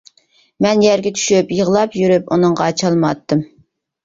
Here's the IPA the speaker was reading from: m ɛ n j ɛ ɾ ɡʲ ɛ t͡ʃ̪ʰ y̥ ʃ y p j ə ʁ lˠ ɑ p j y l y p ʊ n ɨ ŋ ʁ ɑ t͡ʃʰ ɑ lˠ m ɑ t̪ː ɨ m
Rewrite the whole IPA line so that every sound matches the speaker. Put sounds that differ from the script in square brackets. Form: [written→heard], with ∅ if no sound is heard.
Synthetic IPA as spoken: m ɛ n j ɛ ɾ ɡʲ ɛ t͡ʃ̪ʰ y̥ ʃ y p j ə ʁ lˠ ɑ p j y [l→ɾ] y p [ʊ→u] n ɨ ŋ ʁ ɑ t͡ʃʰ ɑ lˠ m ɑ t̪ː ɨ m